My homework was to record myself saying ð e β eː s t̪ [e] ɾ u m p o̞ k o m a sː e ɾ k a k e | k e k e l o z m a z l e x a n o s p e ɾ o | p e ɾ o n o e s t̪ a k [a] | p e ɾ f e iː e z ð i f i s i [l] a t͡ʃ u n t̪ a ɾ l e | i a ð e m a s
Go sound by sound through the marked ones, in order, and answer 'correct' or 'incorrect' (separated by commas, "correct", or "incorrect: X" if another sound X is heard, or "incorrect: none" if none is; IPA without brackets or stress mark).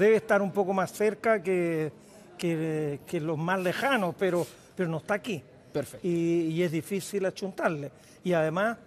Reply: incorrect: a, incorrect: i, correct